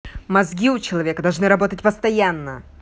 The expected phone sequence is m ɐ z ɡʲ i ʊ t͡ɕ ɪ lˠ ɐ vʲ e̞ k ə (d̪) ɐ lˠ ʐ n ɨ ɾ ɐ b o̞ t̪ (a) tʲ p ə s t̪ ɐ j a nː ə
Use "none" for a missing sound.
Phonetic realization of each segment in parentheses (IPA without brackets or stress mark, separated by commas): d̪, ə